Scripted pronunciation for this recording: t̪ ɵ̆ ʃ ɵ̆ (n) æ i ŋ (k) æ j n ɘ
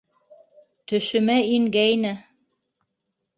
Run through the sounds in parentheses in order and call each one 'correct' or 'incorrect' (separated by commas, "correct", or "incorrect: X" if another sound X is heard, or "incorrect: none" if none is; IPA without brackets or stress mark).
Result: incorrect: m, incorrect: ɡ